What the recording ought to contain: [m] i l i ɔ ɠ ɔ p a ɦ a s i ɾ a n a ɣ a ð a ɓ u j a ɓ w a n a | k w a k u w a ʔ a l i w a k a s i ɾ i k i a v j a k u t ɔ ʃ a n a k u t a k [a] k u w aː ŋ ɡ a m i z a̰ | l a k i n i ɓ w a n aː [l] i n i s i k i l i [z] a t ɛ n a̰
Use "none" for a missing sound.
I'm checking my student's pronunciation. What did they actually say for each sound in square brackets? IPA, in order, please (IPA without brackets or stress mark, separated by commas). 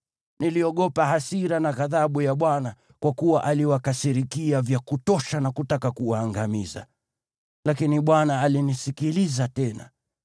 n, a, l, z